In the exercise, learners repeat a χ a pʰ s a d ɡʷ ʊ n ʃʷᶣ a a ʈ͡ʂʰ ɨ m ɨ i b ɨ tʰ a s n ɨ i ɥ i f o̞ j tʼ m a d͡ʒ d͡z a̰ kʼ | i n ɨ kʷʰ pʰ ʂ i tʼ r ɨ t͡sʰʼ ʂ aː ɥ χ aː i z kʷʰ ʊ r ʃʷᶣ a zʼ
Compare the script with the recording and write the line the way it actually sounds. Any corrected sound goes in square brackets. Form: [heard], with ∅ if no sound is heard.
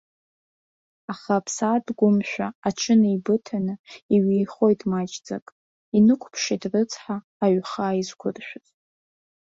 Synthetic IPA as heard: a χ a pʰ s a d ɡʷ ʊ [m] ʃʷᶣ a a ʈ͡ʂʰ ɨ [n] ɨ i b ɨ tʰ a [∅] n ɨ i ɥ i [χ] o̞ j tʼ m a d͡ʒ d͡z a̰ kʼ | i n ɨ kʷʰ pʰ ʂ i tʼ r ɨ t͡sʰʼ [ħ] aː ɥ χ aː i z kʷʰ ʊ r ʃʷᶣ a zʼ